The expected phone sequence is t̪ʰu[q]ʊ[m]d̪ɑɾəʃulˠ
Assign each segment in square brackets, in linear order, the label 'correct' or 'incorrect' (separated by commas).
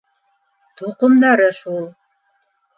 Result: correct, correct